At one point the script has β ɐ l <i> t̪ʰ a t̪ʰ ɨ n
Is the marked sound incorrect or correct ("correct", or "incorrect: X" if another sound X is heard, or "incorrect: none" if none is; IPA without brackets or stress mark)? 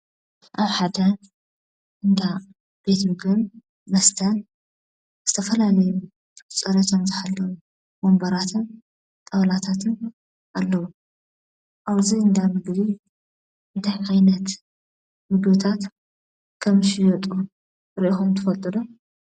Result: incorrect: a